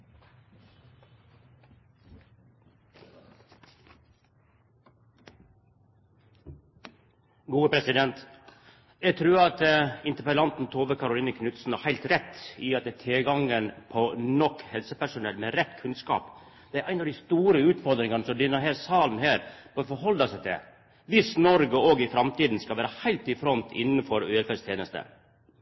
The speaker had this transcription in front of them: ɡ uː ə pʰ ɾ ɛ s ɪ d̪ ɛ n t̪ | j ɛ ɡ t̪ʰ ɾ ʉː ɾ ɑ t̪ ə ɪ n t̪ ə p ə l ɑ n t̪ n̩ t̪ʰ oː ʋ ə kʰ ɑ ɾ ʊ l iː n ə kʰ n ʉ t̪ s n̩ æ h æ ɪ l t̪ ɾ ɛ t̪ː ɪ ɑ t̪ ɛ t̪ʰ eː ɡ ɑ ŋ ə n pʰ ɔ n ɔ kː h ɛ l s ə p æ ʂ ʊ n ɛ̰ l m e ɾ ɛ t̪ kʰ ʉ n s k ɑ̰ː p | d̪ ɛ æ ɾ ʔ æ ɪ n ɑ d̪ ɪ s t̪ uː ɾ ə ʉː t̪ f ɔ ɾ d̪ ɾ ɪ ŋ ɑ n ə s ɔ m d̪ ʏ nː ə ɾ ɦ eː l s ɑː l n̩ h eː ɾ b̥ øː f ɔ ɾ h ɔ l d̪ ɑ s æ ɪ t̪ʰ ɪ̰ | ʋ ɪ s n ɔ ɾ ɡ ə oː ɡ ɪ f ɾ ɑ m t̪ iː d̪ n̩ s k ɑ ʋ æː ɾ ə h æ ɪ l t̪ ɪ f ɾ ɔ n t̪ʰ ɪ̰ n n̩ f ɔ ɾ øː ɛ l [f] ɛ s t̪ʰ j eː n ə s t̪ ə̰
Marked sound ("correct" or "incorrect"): correct